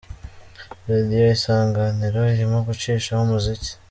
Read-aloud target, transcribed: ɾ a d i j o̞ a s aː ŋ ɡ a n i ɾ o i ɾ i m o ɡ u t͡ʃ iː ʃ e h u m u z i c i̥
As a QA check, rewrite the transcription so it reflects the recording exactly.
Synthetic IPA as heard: ɾ a d i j o̞ i s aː ŋ ɡ a n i ɾ o i ɾ i m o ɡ u t͡ʃ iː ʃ a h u m u z i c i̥

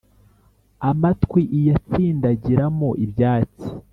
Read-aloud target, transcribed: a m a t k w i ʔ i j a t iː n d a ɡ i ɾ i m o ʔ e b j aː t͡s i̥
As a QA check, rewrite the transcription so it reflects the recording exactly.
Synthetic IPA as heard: a m a t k w i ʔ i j a t͡s iː n d a ɟ i ɾ a m o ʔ i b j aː t͡s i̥

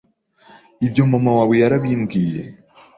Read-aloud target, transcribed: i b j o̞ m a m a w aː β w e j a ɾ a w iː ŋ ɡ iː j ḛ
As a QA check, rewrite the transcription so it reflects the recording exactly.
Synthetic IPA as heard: i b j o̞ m a m a w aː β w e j a ɾ a β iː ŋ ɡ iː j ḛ

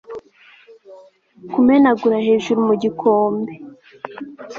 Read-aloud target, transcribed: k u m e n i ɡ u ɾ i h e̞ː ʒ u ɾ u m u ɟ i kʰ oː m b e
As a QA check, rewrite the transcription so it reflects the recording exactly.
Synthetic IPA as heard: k u m e n a ɡ u ɾ a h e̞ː ʒ u ɾ u m u ɟ i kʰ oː m b e

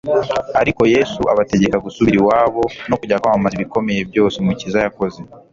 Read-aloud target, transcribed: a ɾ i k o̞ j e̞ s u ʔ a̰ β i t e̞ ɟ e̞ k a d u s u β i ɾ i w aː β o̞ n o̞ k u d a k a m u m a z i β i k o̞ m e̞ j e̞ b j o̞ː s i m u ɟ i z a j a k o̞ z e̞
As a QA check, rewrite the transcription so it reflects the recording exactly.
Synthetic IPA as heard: a ɾ i k o̞ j e̞ s u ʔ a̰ β a t e̞ ɟ e̞ k a ɡ u s u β i ɾ i w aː β o̞ n o̞ k u ɟ a k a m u m a z i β i k o̞ m e̞ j e̞ b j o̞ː s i m u c i z a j a k o̞ z e̞

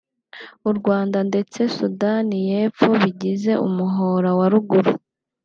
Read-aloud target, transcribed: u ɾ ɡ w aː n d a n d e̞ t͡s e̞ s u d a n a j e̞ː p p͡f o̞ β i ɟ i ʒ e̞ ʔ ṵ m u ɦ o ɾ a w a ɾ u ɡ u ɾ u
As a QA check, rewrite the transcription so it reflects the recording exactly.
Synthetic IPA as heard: u ɾ ɡ w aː n d a n d e̞ t͡s e̞ s u d a n i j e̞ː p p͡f o̞ β i ɟ i z e̞ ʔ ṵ m u ɦ o ɾ a w a ɾ u ɡ u ɾ u

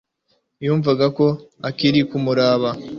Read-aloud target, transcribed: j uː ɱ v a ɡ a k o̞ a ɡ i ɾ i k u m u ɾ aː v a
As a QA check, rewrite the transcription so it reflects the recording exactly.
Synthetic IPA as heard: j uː ɱ v a ɡ a k o̞ a k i ɾ i k u m u ɾ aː β a

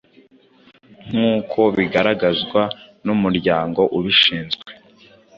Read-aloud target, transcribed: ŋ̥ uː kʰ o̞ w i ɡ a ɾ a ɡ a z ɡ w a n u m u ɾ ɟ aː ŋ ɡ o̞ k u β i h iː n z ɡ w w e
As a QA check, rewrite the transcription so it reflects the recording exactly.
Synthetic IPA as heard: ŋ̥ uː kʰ o̞ β i ɡ a ɾ a ɡ a z ɡ w a n u m u ɾ ɟ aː ŋ ɡ o̞ ʔ u β i ʃ iː n z ɡ w w e

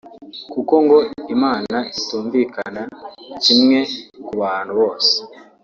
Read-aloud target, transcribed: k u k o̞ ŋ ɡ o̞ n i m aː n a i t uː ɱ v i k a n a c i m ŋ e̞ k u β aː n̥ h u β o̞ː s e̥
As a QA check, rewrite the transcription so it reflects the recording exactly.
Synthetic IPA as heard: k u k o̞ ŋ ɡ o̞ i m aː n a i t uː ɱ v i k a n a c i m ŋ e̞ k u β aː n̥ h u β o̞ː s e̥

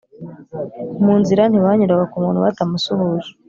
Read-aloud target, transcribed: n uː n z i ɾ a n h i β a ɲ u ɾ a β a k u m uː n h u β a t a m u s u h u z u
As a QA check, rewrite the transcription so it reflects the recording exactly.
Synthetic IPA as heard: m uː n z i ɾ a n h i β a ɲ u ɾ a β a k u m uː n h u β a t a m u s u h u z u

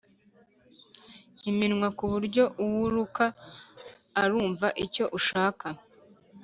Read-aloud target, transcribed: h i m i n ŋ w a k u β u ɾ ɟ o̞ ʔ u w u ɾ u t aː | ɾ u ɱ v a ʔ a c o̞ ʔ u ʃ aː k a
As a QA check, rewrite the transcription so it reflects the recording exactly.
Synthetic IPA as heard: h i m i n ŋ w a k u β u ɾ ɟ o̞ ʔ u w u ɾ u k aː | ɾ uː ɱ v a ʔ i c o̞ ʔ u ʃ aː k a

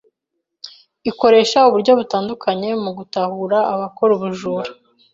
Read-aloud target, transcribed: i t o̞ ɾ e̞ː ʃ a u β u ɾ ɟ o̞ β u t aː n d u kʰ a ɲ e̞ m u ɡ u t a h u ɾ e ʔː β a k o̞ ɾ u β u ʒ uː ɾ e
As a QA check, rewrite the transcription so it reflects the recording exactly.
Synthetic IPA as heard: i k o̞ ɾ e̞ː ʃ a u β u ɾ ɟ o̞ β u t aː n d u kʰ a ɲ e̞ m u ɡ u t a h u ɾ a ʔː β a k o̞ ɾ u β u ʒ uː ɾ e

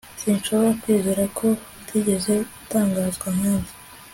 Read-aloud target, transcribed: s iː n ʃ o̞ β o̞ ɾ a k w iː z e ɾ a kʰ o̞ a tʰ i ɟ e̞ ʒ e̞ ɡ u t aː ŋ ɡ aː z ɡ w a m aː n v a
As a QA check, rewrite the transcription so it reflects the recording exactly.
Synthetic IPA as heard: s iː n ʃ o̞ β o̞ ɾ a k w iː z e ɾ a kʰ o̞ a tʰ i ɟ e̞ z e̞ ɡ u t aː ŋ ɡ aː z ɡ w a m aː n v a

